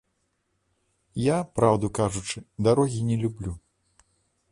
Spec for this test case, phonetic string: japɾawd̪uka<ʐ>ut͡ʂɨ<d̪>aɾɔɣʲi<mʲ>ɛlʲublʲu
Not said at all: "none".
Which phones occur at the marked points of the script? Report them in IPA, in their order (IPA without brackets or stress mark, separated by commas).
ʐ, d̪, nʲ